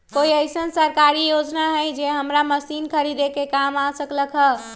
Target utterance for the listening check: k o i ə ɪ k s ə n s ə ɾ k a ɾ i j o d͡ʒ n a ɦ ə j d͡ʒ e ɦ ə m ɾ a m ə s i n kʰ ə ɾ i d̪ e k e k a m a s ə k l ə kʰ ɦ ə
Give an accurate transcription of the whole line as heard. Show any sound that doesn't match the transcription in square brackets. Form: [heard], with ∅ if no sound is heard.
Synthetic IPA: k o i ə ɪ [∅] s ə n s ə ɾ k a ɾ i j o d͡ʒ n a ɦ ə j d͡ʒ e ɦ ə m ɾ a m ə s i n kʰ ə ɾ i d̪ e k e k a m a s ə k l ə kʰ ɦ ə